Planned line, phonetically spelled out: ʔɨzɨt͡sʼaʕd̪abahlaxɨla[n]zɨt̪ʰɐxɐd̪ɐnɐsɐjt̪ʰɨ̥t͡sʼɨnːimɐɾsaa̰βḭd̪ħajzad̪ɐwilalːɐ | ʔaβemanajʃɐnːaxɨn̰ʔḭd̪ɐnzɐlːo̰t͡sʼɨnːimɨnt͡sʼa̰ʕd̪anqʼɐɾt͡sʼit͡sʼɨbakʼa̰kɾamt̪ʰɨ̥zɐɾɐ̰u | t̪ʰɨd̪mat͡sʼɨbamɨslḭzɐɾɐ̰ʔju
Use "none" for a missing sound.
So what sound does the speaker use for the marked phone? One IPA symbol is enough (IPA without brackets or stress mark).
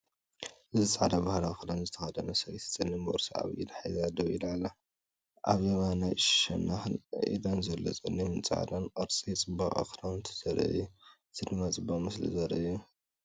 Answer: n